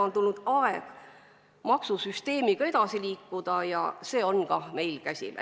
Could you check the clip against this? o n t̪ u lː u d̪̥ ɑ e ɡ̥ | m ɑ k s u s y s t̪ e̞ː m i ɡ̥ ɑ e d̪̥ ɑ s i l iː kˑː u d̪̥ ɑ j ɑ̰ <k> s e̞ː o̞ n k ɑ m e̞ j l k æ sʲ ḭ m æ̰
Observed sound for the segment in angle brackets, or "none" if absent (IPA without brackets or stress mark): none